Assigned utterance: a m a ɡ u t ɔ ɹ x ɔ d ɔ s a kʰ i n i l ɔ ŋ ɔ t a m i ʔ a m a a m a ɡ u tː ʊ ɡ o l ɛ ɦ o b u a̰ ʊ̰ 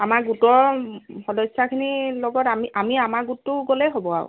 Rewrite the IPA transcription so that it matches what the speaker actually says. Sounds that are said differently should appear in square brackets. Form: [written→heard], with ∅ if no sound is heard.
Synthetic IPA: a m a ɡ u t ɔ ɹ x ɔ d ɔ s a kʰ i n i l ɔ [ŋ→ɡ] ɔ t a m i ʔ a m [a→i] a m a ɡ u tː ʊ ɡ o l ɛ ɦ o b [u→ɔ] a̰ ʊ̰